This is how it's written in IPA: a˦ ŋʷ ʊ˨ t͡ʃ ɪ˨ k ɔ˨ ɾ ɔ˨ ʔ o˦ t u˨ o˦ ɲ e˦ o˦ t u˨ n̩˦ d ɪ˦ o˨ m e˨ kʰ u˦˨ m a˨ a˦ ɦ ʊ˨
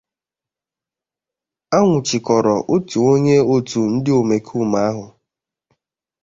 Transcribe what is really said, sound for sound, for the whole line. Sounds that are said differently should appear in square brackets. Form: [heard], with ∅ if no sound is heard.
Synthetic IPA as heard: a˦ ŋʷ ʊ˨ t͡ʃ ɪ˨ k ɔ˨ ɾ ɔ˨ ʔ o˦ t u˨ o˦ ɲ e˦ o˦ t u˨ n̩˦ d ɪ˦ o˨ m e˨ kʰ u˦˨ m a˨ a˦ ɦ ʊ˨